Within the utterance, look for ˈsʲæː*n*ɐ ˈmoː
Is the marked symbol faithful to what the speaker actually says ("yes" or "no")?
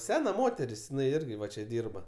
yes